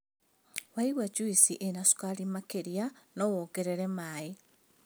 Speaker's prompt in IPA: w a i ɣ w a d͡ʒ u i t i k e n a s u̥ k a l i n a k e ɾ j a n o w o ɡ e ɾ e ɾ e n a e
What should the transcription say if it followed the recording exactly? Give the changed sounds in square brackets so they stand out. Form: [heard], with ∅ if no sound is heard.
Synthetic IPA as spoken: w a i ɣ w a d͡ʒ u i [s] i [ʔ] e n a s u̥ k a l i [m] a k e ɾ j a n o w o ɡ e ɾ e ɾ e [m] a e